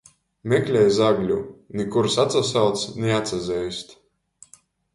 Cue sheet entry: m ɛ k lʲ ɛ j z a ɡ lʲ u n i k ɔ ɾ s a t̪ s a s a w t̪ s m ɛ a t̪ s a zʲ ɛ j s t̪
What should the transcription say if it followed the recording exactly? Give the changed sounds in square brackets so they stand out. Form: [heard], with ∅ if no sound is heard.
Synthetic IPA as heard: m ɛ k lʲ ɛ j z a ɡ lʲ u n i k [u] ɾ s a t̪ s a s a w t̪ s [n] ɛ a t̪ s a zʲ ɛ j s t̪